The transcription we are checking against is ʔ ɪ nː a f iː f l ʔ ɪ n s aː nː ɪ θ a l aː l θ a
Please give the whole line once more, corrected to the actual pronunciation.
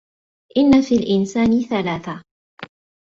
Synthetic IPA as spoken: ʔ ɪ nː a f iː l ʔ ɪ n s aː n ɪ θ a l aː θ a